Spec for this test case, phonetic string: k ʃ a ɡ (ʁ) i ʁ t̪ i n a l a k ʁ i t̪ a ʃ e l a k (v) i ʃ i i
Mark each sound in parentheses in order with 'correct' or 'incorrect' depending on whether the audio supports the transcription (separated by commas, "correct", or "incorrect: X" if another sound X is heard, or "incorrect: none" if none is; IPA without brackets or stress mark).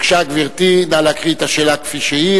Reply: incorrect: v, incorrect: f